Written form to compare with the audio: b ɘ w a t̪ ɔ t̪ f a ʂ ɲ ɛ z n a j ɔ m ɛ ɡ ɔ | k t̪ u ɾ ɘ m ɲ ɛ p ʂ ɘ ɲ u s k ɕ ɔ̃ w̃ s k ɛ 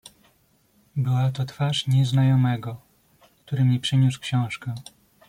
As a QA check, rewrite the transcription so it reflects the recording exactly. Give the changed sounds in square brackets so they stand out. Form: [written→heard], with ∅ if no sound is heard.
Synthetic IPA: b ɘ w a t̪ ɔ t̪ f a ʂ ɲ ɛ z n a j ɔ m ɛ ɡ ɔ | k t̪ u ɾ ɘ m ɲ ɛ p ʂ ɘ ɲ u s k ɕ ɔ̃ w̃ [s→ʂ] k ɛ